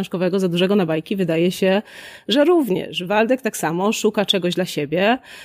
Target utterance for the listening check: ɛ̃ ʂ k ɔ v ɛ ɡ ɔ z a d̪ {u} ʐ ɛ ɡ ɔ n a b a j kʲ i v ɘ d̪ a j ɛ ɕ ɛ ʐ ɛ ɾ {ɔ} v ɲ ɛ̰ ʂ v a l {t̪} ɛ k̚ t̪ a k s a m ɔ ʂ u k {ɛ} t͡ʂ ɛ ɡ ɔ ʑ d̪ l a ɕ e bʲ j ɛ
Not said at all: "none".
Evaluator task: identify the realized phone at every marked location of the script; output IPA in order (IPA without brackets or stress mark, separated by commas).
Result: u, u, d̪, a